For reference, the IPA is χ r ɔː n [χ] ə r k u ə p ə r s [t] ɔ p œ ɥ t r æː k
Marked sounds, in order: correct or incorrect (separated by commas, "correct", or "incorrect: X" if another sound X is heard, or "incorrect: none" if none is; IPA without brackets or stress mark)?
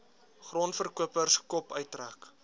incorrect: f, incorrect: k